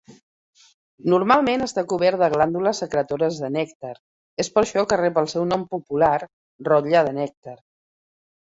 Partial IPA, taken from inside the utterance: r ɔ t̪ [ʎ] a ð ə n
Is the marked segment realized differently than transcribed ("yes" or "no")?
no